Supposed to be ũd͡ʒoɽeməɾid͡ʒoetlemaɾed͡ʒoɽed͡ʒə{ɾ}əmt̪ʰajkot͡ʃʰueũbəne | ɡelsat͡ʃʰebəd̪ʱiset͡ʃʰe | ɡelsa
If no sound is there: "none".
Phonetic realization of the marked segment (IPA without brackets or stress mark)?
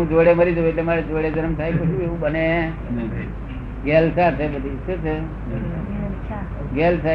ɾ